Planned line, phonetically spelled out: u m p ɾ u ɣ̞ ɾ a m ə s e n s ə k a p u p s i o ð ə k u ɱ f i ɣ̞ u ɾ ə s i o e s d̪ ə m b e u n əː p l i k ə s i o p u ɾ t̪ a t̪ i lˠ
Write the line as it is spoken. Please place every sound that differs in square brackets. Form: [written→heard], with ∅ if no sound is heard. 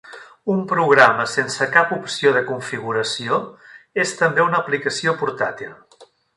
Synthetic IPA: u m p ɾ u ɣ̞ ɾ a m ə s e n s ə k a p u p s i o ð ə k u ɱ f i ɣ̞ u ɾ ə s i o e s [d̪→t̪] ə m b e u n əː p l i k ə s i o p u ɾ t̪ a t̪ i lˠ